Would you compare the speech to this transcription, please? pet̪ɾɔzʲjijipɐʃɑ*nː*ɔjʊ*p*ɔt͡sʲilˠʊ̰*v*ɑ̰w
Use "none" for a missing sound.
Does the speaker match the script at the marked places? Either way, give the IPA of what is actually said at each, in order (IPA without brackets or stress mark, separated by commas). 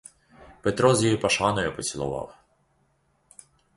n, p, ʋ